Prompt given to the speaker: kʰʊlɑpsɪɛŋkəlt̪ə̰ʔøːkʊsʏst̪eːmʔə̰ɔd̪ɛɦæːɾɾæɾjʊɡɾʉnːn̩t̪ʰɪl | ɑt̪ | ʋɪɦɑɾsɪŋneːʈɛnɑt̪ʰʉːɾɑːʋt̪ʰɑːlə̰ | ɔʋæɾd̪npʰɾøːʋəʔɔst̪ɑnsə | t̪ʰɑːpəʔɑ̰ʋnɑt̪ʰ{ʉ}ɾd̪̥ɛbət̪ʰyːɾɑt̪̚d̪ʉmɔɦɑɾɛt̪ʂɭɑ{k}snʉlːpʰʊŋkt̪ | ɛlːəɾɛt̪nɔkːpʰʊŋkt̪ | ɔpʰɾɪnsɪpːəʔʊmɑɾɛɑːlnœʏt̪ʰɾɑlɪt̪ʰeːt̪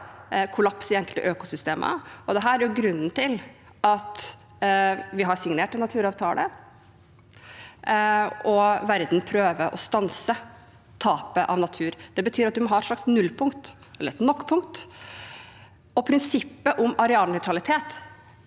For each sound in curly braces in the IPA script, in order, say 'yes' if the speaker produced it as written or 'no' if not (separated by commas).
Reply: no, yes